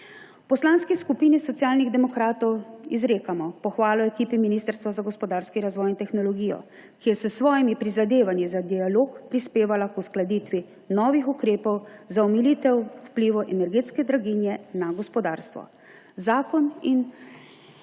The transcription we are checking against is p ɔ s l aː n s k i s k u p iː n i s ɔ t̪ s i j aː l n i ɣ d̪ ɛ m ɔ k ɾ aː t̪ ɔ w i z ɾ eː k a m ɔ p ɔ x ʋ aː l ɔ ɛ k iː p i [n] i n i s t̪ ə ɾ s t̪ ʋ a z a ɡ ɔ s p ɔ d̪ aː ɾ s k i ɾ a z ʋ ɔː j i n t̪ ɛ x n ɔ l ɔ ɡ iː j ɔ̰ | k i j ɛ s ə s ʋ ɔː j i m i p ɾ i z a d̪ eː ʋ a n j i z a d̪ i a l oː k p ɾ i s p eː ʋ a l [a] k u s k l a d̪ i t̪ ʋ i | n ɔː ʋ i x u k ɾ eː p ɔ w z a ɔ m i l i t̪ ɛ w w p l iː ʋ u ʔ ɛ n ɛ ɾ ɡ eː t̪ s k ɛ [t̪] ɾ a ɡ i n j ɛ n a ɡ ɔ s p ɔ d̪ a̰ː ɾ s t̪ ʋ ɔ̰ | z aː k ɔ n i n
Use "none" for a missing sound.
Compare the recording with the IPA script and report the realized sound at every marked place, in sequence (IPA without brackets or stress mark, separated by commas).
m, a, d̪